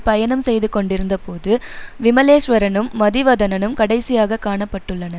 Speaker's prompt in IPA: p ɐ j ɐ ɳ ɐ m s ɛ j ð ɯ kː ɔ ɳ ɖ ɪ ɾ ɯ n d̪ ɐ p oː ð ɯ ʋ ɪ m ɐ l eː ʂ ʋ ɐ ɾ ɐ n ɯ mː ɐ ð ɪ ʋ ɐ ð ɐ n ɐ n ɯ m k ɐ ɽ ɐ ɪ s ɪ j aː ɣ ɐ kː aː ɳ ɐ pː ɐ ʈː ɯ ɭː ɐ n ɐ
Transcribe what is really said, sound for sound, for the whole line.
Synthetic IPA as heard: p ɐ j ɐ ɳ ɐ m s ɛ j ð ɯ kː ɔ ɳ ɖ ɪ ɾ ɯ n d̪ ɐ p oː ð ɯ ʋ ɪ m ɐ l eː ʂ ʋ ɐ ɾ ɐ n ɯ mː ɐ ð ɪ ʋ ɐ ð ɐ n ɐ n ɯ m k ɐ ɽ ɐ ɪ s ɪ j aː ɣ ɐ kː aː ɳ ɐ pː ɐ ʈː ɯ ɭː ɐ n ɐ